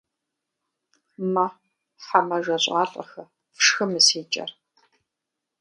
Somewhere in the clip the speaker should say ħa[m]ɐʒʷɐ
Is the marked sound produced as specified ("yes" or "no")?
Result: yes